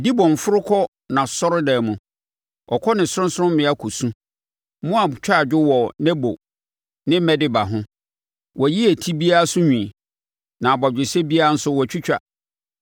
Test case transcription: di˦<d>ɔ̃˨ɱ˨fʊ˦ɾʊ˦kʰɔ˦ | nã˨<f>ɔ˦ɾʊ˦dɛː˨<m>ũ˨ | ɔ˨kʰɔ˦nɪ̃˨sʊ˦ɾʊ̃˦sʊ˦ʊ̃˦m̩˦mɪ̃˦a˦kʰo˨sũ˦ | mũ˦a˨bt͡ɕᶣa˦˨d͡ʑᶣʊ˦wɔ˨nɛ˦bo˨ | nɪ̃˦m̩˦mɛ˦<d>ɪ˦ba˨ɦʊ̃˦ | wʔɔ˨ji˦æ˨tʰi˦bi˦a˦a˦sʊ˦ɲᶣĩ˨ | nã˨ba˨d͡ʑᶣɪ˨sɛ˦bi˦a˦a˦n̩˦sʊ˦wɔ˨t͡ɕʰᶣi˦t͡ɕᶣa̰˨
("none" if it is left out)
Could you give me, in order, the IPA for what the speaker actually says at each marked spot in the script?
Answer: b, s, m, d

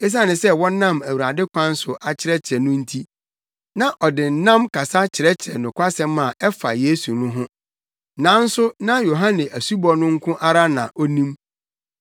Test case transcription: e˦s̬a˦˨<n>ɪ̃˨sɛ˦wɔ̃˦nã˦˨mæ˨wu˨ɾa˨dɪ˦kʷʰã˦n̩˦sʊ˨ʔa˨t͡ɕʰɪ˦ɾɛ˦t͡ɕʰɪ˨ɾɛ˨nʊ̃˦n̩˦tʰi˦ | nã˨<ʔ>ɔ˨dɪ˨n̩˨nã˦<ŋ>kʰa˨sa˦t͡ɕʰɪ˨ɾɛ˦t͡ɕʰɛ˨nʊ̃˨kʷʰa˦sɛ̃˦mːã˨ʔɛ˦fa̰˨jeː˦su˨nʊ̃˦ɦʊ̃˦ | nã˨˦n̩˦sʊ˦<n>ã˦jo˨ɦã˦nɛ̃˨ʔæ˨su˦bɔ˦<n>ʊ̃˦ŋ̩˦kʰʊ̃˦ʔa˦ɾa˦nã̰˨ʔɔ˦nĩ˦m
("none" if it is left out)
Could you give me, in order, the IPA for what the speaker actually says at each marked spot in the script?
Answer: n, ʔ, m, n, n

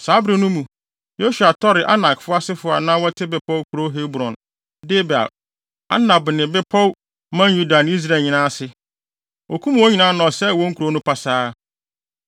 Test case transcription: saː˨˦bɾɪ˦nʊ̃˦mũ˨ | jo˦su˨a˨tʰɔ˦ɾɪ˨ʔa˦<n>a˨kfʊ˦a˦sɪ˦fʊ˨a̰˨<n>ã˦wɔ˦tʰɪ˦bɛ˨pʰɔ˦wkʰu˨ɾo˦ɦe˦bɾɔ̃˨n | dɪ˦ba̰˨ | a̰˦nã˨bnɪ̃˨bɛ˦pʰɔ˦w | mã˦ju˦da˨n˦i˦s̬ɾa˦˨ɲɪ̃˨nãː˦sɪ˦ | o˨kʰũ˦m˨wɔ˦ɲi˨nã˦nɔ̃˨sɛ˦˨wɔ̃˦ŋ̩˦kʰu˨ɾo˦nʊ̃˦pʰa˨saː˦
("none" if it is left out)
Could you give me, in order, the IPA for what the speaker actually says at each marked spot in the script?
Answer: n, n

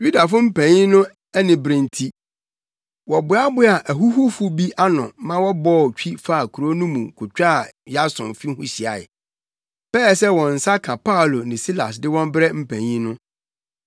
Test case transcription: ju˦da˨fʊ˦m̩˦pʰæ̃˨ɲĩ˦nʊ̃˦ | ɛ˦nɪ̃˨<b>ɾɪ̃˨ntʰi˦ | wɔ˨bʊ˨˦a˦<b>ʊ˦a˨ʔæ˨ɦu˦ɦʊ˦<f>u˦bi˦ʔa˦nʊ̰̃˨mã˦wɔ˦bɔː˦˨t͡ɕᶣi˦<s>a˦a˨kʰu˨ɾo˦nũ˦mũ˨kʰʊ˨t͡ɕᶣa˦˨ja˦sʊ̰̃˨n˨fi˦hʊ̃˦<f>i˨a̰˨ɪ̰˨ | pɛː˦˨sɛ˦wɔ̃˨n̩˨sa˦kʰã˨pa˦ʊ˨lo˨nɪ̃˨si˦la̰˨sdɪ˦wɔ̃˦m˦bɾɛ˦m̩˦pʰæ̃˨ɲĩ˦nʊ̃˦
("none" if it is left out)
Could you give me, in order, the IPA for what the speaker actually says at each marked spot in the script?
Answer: b, b, f, f, ɕ

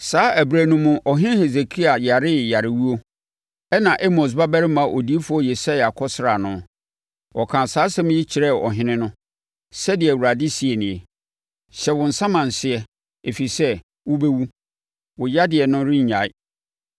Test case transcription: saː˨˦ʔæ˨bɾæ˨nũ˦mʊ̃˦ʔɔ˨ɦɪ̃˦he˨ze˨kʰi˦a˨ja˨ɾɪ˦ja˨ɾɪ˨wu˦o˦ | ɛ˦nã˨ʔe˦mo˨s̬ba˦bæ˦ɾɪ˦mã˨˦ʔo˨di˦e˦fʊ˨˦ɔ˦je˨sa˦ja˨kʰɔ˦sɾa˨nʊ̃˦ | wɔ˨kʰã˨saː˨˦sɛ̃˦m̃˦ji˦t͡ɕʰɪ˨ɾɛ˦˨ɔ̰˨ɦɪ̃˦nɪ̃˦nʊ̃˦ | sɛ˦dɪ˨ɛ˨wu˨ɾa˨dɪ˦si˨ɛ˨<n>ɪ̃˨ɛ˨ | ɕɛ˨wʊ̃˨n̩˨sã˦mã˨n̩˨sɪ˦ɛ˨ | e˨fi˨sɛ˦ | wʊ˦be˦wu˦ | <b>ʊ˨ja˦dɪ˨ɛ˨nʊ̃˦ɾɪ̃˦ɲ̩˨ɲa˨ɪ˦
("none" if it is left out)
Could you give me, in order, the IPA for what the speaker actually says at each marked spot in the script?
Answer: n, w

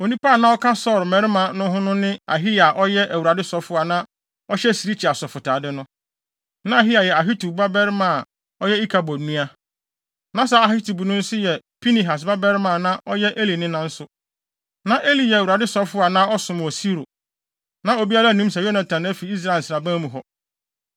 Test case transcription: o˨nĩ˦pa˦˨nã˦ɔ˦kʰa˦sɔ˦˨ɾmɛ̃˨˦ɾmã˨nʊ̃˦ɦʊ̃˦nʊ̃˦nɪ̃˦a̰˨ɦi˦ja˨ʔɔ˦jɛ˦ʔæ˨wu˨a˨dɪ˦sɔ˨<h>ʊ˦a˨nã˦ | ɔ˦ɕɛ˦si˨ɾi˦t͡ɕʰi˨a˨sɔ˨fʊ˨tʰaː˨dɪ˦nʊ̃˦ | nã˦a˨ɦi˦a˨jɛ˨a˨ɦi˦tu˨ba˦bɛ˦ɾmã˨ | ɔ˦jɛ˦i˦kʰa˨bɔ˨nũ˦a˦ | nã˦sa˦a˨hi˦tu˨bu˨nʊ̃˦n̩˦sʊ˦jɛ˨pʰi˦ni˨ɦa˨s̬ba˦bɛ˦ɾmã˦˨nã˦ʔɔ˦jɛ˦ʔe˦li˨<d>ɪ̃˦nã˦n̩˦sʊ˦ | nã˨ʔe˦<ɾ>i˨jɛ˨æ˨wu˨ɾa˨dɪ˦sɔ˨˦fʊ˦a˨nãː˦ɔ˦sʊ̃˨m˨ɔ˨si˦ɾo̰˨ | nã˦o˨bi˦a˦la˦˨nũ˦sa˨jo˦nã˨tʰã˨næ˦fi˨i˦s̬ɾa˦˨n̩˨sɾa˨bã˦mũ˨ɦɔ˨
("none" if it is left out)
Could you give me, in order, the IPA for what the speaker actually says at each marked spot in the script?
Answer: f, n, l

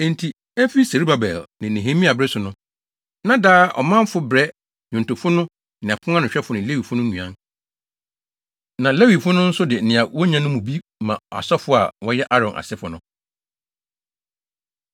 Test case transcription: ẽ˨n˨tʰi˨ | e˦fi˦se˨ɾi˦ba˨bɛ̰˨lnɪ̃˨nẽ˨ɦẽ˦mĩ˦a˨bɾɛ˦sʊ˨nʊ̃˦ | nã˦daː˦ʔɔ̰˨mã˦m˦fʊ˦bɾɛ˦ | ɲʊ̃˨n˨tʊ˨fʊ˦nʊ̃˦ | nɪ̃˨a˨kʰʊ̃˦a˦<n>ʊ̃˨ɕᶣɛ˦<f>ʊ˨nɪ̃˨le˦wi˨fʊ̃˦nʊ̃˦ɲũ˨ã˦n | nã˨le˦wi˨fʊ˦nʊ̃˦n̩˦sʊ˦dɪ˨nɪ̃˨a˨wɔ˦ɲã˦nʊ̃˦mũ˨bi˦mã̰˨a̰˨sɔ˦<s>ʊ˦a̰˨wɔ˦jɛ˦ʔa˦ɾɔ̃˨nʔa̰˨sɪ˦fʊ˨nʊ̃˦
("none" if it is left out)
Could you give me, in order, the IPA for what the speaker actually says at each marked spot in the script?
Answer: n, f, f

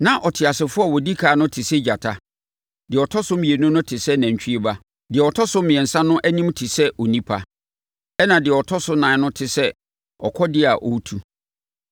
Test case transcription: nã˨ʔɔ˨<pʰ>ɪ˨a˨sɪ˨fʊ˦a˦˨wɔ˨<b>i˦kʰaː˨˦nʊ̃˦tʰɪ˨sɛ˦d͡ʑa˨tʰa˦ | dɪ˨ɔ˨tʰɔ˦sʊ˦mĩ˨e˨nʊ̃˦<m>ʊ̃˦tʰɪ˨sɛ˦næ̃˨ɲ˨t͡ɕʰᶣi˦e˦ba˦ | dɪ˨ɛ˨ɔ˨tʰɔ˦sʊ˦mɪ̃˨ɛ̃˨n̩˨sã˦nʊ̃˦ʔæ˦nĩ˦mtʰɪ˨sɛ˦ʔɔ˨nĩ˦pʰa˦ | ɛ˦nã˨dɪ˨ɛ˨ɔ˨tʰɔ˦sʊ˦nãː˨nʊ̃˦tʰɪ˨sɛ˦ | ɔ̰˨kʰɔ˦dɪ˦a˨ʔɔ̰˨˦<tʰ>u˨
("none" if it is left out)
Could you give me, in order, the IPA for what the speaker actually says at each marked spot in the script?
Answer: tʰ, d, n, tʰ

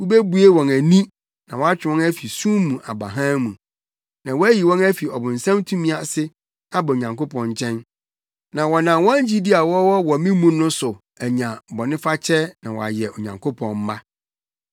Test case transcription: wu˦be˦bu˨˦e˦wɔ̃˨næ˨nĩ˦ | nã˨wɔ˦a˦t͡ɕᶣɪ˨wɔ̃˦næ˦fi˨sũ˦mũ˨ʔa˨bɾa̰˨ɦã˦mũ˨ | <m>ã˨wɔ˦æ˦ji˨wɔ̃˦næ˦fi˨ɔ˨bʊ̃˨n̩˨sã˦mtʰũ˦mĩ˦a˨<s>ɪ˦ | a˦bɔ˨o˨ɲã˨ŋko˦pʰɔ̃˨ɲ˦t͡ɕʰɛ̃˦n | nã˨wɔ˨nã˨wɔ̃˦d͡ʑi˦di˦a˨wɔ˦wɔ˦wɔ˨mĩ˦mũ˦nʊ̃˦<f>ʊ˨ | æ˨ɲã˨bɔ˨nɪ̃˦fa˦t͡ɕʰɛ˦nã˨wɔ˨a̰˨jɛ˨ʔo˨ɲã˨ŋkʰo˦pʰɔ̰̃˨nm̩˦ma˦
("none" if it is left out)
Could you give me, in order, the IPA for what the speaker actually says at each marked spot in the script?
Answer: n, s, s

